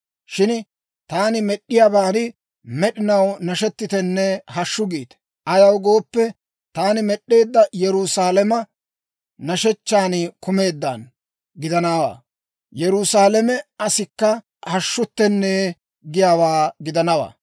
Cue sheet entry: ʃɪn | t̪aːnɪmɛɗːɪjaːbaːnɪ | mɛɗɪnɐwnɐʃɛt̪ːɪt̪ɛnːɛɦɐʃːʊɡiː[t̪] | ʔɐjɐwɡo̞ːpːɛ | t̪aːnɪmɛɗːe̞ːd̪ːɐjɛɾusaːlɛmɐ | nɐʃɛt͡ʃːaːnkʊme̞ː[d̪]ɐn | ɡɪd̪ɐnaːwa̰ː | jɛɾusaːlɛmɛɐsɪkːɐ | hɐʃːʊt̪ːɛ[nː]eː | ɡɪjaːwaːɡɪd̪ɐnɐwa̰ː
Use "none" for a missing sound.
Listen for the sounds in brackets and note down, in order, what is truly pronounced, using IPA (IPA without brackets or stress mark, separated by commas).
t̪, d̪ː, nː